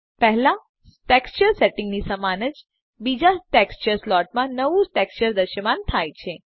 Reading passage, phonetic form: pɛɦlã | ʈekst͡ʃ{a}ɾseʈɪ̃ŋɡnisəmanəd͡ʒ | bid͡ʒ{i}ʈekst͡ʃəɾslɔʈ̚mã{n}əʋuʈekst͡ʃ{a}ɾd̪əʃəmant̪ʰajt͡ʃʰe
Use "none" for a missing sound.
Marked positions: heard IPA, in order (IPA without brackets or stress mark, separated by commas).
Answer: ə, a, n, ə